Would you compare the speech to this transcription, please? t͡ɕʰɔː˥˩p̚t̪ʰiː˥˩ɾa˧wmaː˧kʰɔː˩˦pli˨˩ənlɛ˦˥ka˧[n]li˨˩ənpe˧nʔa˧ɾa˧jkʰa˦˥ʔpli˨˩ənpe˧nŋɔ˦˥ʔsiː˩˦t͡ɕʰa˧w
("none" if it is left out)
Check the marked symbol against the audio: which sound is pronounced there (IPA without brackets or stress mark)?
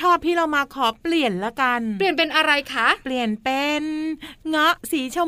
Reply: n